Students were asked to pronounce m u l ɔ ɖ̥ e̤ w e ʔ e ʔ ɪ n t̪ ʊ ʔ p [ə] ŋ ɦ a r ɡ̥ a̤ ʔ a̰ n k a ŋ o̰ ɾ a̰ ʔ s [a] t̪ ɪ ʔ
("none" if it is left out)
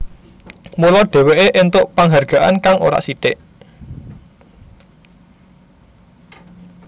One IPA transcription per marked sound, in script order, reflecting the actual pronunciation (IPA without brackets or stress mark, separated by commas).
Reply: a, i